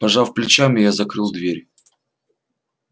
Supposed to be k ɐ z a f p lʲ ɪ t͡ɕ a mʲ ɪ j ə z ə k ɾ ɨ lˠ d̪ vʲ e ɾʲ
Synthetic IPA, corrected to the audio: p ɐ ʐ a f p lʲ ɪ t͡ɕ a mʲ ɪ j a z ɐ k ɾ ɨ lˠ d̪ vʲ e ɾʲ